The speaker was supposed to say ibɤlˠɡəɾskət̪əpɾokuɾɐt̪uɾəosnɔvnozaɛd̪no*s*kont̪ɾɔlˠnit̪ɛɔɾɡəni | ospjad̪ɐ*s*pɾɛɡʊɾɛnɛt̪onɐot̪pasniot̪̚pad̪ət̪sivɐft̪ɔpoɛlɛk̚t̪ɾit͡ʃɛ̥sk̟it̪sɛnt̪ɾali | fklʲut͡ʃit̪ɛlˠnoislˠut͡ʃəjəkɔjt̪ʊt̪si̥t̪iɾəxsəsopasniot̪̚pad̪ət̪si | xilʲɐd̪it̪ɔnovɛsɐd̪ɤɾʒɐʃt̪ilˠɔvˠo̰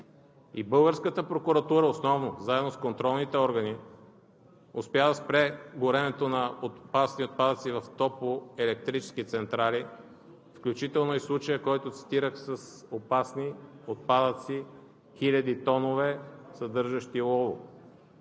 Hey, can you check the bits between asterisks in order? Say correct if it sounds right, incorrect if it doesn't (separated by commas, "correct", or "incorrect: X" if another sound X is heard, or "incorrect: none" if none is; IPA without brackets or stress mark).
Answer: correct, correct